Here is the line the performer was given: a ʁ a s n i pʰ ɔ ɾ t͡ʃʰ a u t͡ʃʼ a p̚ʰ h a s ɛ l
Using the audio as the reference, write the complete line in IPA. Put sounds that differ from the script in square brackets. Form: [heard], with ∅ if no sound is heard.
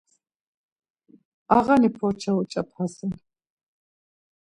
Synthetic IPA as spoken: a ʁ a [∅] n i pʰ ɔ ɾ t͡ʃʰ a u t͡ʃʼ a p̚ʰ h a s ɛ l